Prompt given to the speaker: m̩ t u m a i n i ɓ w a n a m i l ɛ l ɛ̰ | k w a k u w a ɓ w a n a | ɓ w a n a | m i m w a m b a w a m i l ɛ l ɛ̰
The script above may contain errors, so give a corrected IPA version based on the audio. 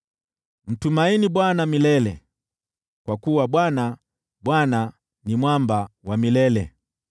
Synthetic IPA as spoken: m̩ t u m a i n i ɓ w a n a m i l ɛ l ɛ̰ | k w a k u w a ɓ w a n a | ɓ w a n a | n i m w a m b a w a m i l ɛ l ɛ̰

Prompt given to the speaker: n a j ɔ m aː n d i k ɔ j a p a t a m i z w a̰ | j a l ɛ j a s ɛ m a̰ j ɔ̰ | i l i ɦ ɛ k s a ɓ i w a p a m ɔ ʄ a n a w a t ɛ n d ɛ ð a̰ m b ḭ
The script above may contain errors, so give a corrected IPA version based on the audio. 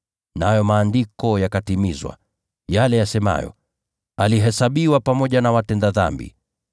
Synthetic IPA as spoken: n a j ɔ m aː n d i k ɔ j a k a t i m i z w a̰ | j a l ɛ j a s ɛ m a̰ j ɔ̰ | a l i ɦ ɛ s a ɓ i w a p a m ɔ ʄ a n a w a t ɛ n d a ð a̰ m b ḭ

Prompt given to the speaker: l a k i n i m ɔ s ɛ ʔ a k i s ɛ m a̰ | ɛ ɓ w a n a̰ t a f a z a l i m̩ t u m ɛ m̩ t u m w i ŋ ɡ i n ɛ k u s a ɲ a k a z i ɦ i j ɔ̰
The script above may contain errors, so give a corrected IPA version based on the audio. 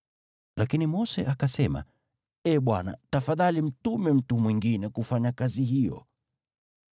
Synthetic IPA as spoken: l a k i n i m ɔ s ɛ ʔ a k a s ɛ m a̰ | ɛ ɓ w a n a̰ t a f a ð a l i m̩ t u m ɛ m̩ t u m w i ŋ ɡ i n ɛ k u f a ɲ a k a z i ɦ i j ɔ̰

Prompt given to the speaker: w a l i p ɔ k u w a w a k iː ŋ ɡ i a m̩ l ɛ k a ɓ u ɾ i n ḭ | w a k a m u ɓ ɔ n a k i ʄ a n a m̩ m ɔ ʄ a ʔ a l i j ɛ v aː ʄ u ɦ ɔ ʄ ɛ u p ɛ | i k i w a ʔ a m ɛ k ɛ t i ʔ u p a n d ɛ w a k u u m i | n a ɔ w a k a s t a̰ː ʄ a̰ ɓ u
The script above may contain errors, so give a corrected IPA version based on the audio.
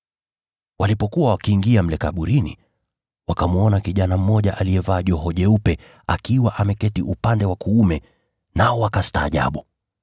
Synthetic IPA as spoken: w a l i p ɔ k u w a w a k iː ŋ ɡ i a m̩ l ɛ k a ɓ u ɾ i n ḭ | w a k a m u ɔ n a k i ʄ a n a m̩ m ɔ ʄ a ʔ a l i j ɛ v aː ʄ ɔ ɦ ɔ ʄ ɛ u p ɛ | a k i w a ʔ a m ɛ k ɛ t i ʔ u p a n d ɛ w a k u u m ɛ | n a ɔ w a k a s t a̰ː ʄ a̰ ɓ u

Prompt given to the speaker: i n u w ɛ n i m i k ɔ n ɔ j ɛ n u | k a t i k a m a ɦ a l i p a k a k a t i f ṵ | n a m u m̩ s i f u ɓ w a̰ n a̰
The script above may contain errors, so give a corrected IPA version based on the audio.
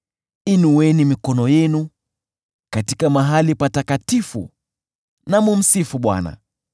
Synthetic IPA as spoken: i n u w ɛ n i m i k ɔ n ɔ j ɛ n u | k a t i k a m a ɦ a l i p a t a k a t i f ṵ | n a m u m̩ s i f u ɓ w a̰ n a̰

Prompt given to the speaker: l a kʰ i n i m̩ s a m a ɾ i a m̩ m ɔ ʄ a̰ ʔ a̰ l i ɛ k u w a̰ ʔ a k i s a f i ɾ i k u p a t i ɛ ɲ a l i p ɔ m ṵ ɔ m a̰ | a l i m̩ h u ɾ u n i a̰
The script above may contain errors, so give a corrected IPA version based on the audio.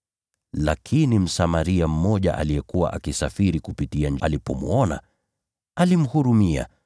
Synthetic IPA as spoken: l a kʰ i n i m̩ s a m a ɾ i a m̩ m ɔ ʄ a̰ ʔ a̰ l i ɛ k u w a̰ ʔ a k i s a f i ɾ i k u p i t i a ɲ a l i p ɔ m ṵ ɔ n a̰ | a l i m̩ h u ɾ u m i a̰

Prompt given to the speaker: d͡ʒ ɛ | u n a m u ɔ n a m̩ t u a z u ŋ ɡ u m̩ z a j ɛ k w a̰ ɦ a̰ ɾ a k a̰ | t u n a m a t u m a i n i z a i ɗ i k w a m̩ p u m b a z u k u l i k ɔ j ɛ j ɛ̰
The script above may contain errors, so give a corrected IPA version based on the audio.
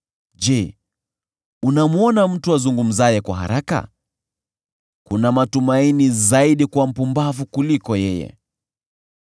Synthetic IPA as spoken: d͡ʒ ɛ | u n a m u ɔ n a m̩ t u a z u ŋ ɡ u m̩ z a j ɛ k w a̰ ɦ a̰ ɾ a k a̰ | k u n a m a t u m a i n i z a i ɗ i k w a m̩ p u m b a v u k u l i k ɔ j ɛ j ɛ̰

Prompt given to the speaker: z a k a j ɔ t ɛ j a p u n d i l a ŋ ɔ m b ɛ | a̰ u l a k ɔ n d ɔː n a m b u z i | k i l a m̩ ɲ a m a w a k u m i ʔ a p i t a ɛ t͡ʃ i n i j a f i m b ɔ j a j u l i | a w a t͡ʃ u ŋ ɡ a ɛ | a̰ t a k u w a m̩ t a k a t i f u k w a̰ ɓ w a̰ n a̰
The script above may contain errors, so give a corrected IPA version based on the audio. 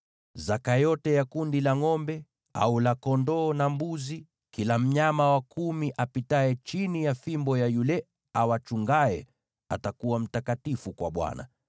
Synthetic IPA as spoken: z a k a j ɔ t ɛ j a k u n d i l a ŋ ɔ m b ɛ | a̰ u l a k ɔ n d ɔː n a m b u z i | k i l a m̩ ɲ a m a w a k u m i ʔ a p i t a ɛ t͡ʃ i n i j a f i m b ɔ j a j u l ɛ | a w a t͡ʃ u ŋ ɡ a ɛ | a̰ t a k u w a m̩ t a k a t i f u k w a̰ ɓ w a̰ n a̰

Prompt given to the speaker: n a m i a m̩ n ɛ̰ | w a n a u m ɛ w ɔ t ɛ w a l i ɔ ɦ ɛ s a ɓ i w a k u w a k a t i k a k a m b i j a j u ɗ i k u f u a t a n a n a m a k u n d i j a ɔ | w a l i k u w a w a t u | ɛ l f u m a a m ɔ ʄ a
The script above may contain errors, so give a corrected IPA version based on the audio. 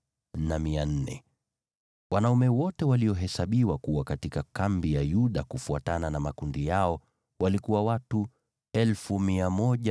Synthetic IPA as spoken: n a m i a n̩ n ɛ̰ | w a n a u m ɛ w ɔ t ɛ w a l i ɔ ɦ ɛ s a ɓ i w a k u w a k a t i k a k a m b i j a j u ɗ a k u f u a t a n a n a m a k u n d i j a ɔ | w a l i k u w a w a t u | ɛ l f u m i a m ɔ ʄ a

